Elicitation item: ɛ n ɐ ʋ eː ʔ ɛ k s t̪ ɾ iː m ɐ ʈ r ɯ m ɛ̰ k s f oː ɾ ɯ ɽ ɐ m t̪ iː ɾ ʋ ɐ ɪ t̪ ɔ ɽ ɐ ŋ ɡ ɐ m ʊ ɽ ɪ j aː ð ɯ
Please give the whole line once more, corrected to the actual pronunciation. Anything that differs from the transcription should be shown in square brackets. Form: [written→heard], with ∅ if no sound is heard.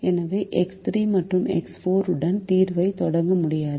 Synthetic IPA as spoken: ɛ n ɐ ʋ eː ʔ ɛ k s t̪ ɾ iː m ɐ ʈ r ɯ m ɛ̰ k s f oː ɾ ɯ ɽ ɐ [m→n] t̪ iː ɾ ʋ ɐ ɪ t̪ ɔ ɽ ɐ ŋ ɡ ɐ m ʊ ɽ ɪ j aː ð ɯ